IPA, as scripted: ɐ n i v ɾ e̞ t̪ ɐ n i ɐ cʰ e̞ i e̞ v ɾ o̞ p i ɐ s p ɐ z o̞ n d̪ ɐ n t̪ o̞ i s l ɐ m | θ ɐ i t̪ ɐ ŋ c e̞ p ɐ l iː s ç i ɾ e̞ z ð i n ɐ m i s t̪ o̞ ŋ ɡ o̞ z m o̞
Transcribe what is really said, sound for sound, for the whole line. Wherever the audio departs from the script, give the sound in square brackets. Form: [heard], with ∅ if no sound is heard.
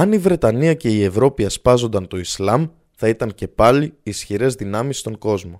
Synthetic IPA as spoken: ɐ n i v ɾ e̞ t̪ ɐ n i ɐ [c] e̞ i e̞ v ɾ o̞ p i ɐ s p ɐ z o̞ n d̪ ɐ n t̪ o̞ i s l ɐ m | θ ɐ i t̪ ɐ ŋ c e̞ p ɐ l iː s ç i ɾ e̞ z ð i n ɐ m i s t̪ o̞ ŋ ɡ o̞ z m o̞